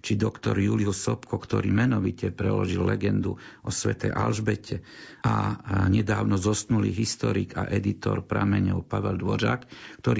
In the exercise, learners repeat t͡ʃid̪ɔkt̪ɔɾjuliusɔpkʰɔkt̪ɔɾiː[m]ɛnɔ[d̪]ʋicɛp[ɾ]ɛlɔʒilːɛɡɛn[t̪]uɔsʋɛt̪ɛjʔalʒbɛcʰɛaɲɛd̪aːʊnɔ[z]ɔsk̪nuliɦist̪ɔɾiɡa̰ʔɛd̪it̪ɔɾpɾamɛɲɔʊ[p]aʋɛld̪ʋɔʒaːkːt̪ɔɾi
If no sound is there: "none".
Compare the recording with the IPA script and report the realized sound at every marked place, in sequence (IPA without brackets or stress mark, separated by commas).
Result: m, none, ɾ, d̪, z, p